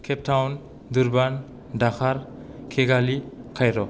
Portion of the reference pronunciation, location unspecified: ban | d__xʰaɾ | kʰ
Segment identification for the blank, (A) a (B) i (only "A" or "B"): A